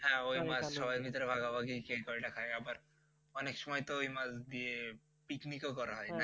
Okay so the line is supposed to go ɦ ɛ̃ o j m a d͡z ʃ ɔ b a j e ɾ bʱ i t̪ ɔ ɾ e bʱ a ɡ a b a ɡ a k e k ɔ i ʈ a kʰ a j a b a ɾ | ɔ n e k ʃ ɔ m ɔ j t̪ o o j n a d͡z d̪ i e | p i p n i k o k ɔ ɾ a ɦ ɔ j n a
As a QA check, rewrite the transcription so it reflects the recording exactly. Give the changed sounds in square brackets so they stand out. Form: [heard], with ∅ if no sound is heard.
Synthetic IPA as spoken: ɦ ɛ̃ o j m a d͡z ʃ ɔ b a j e ɾ bʱ i t̪ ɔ ɾ e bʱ a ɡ a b a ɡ [i] k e k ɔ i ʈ a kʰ a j a b a ɾ | ɔ n e k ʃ ɔ m ɔ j t̪ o o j [m] a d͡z d̪ i e | p i [k] n i k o k ɔ ɾ a ɦ ɔ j n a